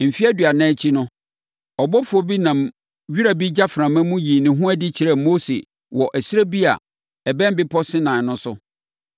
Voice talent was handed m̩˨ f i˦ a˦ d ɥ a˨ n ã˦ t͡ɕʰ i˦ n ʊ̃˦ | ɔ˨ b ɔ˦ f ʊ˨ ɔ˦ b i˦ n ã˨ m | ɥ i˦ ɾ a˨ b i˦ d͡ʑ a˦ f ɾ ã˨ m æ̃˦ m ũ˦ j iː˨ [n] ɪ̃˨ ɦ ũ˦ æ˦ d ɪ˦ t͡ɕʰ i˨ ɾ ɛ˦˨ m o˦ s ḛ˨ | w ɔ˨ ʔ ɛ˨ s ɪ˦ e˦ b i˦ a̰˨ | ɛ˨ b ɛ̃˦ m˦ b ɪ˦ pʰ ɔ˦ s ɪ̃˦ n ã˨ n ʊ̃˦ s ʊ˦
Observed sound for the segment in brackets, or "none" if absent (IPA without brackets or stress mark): n